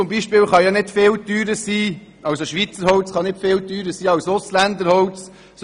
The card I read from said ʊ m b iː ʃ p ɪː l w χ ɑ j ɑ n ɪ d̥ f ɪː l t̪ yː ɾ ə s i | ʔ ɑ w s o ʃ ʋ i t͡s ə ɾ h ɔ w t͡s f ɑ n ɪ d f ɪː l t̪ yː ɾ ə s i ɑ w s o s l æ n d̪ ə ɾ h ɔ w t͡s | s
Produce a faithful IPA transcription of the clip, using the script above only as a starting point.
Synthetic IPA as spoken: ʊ m b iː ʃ p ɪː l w χ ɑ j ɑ n ɪ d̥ f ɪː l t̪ yː ɾ ə s iː | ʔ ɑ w s o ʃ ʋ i t͡s ə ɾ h ɔ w t͡s χ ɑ n ɪ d f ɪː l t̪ yː ɾ ə s iː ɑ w s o s l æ n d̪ ə ɾ h ɔ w t͡s | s